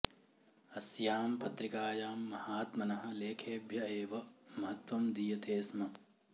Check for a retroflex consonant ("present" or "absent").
absent